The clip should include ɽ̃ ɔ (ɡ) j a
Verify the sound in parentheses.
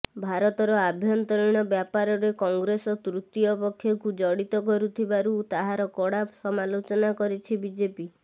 incorrect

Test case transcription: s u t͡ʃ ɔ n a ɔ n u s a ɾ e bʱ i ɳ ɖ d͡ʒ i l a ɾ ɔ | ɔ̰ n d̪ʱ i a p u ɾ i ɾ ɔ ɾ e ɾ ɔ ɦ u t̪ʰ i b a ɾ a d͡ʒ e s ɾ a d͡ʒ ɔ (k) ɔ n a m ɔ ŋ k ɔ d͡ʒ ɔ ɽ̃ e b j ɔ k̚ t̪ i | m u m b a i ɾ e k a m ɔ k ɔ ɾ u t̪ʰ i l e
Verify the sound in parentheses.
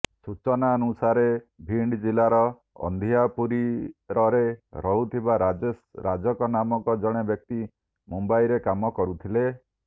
correct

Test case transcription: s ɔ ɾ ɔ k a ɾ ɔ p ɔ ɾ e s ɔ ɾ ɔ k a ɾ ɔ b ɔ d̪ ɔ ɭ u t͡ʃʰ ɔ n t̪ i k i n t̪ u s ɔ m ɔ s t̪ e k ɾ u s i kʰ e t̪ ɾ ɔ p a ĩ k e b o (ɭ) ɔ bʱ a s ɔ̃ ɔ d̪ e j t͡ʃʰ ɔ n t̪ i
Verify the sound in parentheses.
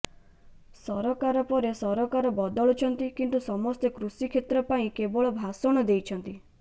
correct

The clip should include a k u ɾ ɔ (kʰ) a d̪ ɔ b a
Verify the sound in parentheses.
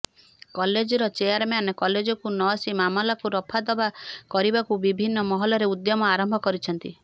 incorrect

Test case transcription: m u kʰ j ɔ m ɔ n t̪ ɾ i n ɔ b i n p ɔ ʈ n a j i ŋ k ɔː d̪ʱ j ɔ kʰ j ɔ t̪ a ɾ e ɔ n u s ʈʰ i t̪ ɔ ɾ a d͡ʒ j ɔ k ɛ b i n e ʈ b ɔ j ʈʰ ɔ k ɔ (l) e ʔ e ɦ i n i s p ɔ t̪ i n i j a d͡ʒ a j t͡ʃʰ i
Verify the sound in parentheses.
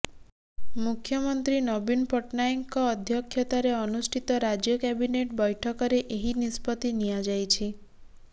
incorrect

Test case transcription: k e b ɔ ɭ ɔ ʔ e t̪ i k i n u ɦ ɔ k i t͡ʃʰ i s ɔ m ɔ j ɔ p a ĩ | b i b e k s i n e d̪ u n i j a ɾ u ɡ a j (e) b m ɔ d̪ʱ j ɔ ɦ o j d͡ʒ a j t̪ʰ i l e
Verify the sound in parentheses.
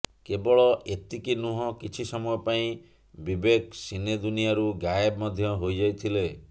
correct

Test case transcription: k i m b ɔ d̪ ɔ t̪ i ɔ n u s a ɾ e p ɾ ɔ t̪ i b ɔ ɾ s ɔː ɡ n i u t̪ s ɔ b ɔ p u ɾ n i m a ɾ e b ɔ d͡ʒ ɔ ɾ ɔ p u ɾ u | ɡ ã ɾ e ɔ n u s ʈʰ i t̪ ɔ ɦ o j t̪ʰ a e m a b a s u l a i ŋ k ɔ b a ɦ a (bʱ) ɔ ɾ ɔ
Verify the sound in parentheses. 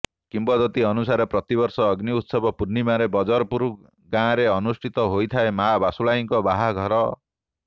incorrect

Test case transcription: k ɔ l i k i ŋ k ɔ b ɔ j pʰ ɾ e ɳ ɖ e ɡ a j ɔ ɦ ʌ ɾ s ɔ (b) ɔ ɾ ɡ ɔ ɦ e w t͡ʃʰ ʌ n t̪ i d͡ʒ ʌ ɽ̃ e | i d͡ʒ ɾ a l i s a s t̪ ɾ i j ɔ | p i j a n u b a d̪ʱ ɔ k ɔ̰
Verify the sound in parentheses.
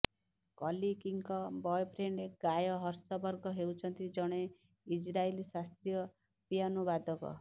correct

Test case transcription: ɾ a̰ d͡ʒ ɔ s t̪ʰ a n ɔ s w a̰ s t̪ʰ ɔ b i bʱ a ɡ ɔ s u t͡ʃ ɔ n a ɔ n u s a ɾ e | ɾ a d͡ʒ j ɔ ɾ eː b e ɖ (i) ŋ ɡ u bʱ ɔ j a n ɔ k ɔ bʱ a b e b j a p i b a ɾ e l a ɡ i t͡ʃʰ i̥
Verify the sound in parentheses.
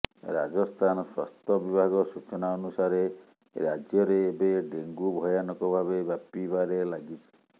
incorrect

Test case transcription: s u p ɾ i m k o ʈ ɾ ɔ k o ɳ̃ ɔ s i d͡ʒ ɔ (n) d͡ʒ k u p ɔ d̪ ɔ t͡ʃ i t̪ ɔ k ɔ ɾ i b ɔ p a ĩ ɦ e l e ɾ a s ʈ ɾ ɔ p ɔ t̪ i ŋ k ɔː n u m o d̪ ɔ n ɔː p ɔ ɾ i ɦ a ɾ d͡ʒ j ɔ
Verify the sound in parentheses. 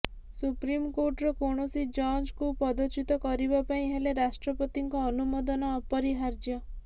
correct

